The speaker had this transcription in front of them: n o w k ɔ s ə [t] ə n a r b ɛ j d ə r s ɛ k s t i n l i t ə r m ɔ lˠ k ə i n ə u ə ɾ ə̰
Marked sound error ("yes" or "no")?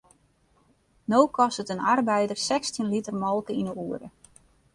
no